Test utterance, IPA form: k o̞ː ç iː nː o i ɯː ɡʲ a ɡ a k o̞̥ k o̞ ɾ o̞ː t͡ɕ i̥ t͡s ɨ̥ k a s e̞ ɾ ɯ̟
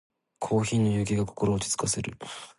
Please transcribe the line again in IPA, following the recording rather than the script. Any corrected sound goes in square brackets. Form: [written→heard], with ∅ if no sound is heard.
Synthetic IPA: [k→kʰ] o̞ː ç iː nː o [i→j] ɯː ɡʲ [a→i] ɡ a k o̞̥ k o̞ ɾ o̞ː t͡ɕ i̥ t͡s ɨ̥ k a s e̞ ɾ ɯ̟

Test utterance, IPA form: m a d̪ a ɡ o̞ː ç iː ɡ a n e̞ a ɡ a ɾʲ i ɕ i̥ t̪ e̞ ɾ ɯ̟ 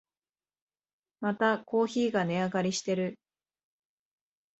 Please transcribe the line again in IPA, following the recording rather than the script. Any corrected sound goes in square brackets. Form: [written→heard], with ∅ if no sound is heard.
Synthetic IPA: m a [d̪→t̪] a [ɡ→k] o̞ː ç iː ɡ a n e̞ a ɡ a ɾʲ i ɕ i̥ t̪ e̞ ɾ ɯ̟

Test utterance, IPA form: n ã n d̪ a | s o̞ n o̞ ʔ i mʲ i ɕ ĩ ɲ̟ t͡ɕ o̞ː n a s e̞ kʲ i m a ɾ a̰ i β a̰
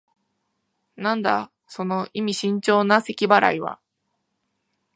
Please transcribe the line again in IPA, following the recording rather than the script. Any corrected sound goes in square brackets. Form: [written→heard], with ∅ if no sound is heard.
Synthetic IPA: n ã n d̪ a | s o̞ n o̞ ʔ i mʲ i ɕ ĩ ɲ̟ t͡ɕ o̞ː n a s e̞ kʲ i [m→b] a ɾ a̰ i β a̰

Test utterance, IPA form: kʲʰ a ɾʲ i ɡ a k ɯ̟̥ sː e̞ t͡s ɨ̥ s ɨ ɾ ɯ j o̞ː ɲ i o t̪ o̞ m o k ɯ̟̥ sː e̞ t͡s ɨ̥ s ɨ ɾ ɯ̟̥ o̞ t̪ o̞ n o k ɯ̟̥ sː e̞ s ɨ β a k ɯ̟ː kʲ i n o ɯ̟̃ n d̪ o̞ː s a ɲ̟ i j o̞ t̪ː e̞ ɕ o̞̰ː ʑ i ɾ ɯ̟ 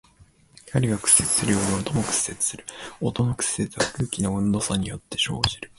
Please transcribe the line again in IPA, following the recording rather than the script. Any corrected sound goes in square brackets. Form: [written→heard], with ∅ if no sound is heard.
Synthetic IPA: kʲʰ a ɾʲ i ɡ a k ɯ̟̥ sː e̞ t͡s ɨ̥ s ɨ ɾ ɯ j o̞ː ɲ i o t̪ o̞ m o k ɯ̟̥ sː e̞ t͡s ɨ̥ s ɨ ɾ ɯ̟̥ o̞ t̪ o̞ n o k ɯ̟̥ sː e̞ [s→t͡s] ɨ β a k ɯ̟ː kʲ i n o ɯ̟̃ n d̪ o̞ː s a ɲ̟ i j o̞ t̪ː e̞ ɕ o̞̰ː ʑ i ɾ ɯ̟

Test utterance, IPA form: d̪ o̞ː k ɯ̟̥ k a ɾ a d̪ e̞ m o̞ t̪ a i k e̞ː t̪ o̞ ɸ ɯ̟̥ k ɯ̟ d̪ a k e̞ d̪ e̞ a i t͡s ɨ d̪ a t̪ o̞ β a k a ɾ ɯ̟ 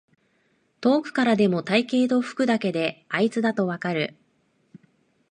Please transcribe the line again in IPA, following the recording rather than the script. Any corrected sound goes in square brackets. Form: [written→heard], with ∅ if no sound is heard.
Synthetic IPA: [d̪→t̪] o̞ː k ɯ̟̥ k a ɾ a d̪ e̞ m o̞ t̪ a i k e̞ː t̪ o̞ ɸ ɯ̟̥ k ɯ̟ d̪ a k e̞ d̪ e̞ a i t͡s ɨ d̪ a t̪ o̞ β a k a ɾ ɯ̟

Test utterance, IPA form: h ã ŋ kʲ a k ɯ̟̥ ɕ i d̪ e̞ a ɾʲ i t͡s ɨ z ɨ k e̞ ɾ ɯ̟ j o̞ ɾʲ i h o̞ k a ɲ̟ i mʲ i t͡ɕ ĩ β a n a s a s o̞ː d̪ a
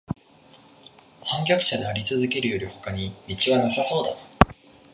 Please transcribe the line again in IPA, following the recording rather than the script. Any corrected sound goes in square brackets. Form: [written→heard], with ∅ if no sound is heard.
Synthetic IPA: h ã ŋ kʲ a k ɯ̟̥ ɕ [i→a] d̪ e̞ a ɾʲ i t͡s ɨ z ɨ k e̞ ɾ ɯ̟ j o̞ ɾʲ i h o̞ k a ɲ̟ i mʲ i t͡ɕ [ĩ→i] β a n a s a s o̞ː d̪ a

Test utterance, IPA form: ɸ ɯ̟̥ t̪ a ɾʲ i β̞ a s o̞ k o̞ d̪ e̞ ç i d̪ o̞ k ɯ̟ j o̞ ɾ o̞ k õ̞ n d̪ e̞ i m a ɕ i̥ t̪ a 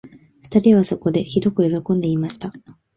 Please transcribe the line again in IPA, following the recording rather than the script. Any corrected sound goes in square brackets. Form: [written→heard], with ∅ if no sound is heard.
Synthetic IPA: ɸ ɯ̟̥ t̪ a ɾʲ i β̞ a s o̞ k o̞ d̪ e̞ ç i d̪ o̞ k ɯ̟ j o̞ ɾ o̞ k õ̞ n d̪ e̞ i m a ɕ i̥ t̪ a

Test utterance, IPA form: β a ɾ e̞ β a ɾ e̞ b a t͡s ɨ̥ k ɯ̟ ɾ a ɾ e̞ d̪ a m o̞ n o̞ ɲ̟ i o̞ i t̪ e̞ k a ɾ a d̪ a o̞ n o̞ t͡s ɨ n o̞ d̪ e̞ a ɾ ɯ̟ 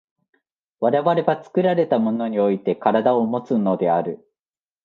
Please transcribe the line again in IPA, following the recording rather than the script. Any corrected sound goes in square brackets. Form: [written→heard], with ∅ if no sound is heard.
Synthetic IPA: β a ɾ e̞ β a ɾ e̞ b a t͡s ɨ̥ k ɯ̟ ɾ a ɾ e̞ [d̪→t̪] a m o̞ n o̞ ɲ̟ i o̞ i t̪ e̞ k a ɾ a d̪ a o̞ [n→m] o̞ t͡s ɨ n o̞ d̪ e̞ a ɾ ɯ̟

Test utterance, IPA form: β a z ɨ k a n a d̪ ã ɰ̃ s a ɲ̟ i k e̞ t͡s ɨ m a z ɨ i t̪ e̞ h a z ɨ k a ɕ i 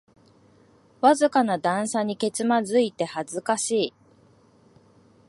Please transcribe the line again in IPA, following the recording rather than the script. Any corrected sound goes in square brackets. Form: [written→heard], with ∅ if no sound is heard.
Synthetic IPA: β a z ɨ k a n a d̪ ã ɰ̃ s a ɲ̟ i k e̞ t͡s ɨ m a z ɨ i t̪ e̞ h a z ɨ k a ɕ [i→iː]

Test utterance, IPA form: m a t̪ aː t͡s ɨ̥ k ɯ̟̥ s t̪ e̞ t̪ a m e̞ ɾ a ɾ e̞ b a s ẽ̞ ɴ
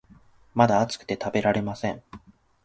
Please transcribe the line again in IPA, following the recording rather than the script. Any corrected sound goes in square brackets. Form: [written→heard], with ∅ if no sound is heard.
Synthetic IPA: m a [t̪→d̪] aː t͡s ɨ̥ k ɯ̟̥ [s→∅] t̪ e̞ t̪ a [m→b] e̞ ɾ a ɾ e̞ [b→m] a s ẽ̞ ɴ

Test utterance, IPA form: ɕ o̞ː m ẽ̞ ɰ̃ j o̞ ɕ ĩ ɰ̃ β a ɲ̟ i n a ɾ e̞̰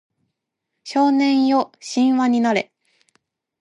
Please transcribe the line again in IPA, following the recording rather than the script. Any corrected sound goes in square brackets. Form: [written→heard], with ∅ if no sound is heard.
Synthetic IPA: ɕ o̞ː [m→n] ẽ̞ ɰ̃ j o̞ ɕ ĩ ɰ̃ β a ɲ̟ i n a ɾ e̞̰

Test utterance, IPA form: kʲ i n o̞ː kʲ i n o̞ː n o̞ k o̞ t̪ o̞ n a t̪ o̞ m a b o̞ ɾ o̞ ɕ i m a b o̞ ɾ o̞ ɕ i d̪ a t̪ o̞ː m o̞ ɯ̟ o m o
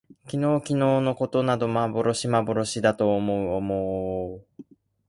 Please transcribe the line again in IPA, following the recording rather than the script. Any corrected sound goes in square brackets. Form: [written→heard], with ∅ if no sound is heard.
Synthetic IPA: kʲ i n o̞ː kʲ i n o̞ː n o̞ k o̞ t̪ o̞ n a [t̪→d̪] o̞ m a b o̞ ɾ o̞ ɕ i m a b o̞ ɾ o̞ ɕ i d̪ a t̪ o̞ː m o̞ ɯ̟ o m o

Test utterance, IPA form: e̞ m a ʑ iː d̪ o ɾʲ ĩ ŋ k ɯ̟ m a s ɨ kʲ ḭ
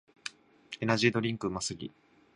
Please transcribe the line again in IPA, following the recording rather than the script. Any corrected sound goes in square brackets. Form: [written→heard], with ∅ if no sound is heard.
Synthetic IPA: e̞ [m→n] a ʑ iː d̪ o ɾʲ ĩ ŋ k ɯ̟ m a s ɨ [kʲ→ɡʲ] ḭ

